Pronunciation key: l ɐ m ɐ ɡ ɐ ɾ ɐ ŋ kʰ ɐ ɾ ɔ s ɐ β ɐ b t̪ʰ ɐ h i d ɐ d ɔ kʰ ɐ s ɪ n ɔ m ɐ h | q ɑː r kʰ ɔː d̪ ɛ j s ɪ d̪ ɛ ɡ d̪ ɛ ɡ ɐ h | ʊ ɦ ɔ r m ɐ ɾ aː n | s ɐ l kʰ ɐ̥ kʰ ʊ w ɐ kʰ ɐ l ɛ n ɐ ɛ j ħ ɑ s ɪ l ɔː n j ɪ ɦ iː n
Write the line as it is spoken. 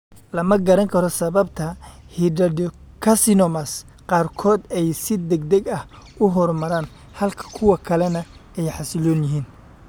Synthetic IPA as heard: l ɐ m ɐ ɡ ɐ ɾ ɐ ŋ kʰ ɐ ɾ ɔ s ɐ β ɐ b t̪ʰ ɐ h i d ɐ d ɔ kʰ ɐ s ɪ n ɔ m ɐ s | q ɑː r kʰ ɔː d̪ ɛ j s ɪ d̪ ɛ ɡ d̪ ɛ ɡ ɐ h | ʊ ɦ ɔ r m ɐ ɾ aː n | h ɐ l kʰ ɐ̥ kʰ ʊ w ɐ kʰ ɐ l ɛ n ɐ ɛ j ħ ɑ s ɪ l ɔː n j ɪ ɦ iː n